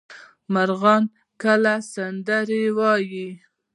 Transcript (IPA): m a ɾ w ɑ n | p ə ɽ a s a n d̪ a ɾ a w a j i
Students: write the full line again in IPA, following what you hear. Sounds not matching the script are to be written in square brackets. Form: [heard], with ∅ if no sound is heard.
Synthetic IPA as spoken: m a ɾ [ɣ] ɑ n | [k] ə [l] a s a n d̪ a ɾ [e] w [ɑ] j i